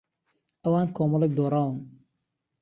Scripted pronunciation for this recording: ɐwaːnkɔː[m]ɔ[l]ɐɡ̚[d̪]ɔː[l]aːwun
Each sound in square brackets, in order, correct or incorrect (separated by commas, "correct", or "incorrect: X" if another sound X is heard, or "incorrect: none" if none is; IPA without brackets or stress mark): correct, correct, correct, incorrect: ɾ